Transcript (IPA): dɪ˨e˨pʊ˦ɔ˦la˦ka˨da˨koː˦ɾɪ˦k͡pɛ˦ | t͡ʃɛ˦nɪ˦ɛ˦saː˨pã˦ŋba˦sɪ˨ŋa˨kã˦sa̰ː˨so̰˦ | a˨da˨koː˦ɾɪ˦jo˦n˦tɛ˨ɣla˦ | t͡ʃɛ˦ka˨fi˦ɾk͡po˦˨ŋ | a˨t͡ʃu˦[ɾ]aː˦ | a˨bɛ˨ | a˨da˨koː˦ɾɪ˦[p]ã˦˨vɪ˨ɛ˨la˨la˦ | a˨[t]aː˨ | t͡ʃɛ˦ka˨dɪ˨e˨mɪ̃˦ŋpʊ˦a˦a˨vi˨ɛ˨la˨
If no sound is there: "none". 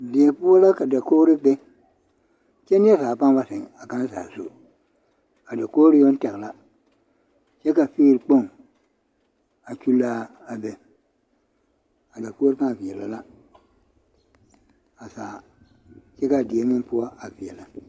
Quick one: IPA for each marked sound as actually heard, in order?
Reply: l, k, s

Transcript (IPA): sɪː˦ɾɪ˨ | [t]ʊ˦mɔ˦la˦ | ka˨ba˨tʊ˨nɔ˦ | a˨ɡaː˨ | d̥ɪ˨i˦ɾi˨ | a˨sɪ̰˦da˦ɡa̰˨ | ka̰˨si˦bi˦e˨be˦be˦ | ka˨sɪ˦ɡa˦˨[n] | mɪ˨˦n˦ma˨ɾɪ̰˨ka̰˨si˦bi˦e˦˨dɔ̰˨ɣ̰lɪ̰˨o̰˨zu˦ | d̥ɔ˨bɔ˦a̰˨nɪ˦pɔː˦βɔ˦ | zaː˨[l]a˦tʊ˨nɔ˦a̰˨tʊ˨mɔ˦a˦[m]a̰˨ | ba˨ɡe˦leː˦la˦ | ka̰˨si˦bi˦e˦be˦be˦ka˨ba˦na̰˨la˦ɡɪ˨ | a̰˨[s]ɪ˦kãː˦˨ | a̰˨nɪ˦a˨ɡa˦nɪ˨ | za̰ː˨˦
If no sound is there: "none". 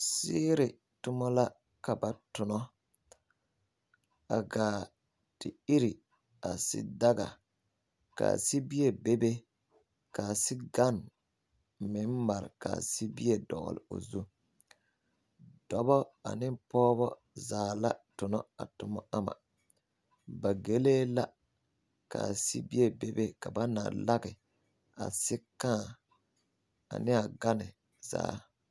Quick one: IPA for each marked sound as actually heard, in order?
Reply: t, n, l, m, s

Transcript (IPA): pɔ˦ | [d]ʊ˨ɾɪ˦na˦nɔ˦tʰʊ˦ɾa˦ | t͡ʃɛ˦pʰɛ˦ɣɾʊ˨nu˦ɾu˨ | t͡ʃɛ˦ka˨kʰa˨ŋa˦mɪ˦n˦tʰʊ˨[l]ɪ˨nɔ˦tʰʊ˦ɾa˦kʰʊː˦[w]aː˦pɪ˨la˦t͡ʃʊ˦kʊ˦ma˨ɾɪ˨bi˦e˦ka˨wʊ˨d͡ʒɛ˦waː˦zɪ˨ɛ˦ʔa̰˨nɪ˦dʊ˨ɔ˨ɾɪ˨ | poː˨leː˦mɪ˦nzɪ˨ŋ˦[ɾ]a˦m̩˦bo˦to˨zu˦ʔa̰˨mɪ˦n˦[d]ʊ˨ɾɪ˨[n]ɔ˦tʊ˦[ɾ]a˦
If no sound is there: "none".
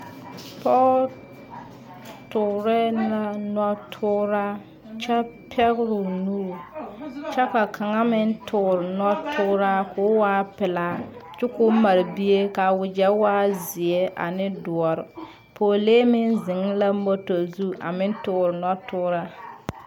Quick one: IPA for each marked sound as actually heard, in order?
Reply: t, ɾ, w, l, t, n, ɾ

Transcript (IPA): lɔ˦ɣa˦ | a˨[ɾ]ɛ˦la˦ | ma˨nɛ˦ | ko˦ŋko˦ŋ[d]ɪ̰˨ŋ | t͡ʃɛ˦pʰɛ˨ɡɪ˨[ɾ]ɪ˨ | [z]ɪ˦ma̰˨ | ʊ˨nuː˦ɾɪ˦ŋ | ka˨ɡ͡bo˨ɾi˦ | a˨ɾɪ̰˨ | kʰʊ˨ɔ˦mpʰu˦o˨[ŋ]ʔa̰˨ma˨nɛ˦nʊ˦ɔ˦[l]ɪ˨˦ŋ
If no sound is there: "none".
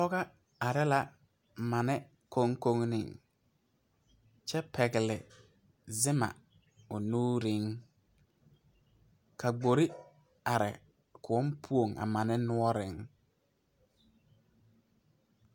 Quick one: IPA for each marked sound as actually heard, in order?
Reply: ɾ, n, l, z, ŋ, ɾ

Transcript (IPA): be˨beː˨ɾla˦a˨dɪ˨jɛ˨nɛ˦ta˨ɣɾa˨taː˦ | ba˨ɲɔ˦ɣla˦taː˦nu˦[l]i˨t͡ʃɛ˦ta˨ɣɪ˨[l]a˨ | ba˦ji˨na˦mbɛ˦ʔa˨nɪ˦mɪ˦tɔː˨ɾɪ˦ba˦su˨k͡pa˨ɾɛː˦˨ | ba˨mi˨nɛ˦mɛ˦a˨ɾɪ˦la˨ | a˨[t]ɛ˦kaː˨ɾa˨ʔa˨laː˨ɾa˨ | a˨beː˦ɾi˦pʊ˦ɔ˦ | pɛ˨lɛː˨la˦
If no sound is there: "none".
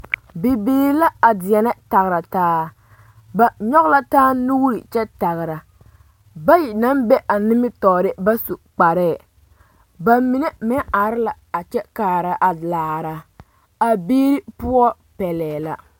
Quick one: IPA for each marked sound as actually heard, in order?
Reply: ɾ, ɾ, t͡ʃ

